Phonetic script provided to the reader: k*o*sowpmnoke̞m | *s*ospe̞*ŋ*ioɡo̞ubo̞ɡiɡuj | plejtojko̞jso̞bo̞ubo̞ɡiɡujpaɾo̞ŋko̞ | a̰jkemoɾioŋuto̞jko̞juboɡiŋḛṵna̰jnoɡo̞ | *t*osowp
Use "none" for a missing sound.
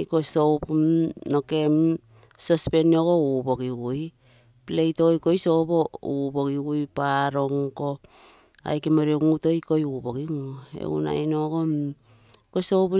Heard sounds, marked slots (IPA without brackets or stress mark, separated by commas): o, s, n, k